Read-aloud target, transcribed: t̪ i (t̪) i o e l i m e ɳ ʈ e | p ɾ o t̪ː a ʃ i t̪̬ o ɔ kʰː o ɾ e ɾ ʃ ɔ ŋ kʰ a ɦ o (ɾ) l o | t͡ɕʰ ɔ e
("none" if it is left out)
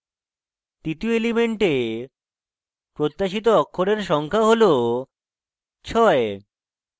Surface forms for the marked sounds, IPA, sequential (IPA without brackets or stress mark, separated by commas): t̪, none